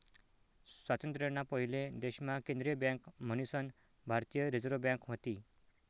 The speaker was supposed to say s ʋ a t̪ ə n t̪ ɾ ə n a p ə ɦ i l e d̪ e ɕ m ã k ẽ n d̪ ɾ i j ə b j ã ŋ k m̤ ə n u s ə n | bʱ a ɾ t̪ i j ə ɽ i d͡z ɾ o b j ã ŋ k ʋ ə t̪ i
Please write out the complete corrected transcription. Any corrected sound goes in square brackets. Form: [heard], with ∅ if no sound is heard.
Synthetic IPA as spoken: s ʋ a t̪ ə n t̪ ɾ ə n a p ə ɦ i l e d̪ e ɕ m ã k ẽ n d̪ ɾ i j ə b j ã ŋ k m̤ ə n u s ə n | bʱ a ɾ t̪ i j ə [ɾ] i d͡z ɾ o b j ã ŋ k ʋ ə t̪ i